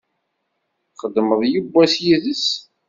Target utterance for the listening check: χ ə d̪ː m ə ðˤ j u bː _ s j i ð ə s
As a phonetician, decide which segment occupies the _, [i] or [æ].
æ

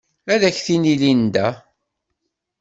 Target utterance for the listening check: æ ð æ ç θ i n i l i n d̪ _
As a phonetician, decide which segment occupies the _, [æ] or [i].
æ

